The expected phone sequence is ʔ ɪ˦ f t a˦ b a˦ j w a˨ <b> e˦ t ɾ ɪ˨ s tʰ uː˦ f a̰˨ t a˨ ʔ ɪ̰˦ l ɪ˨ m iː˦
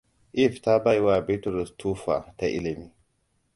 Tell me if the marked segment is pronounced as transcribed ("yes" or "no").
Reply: yes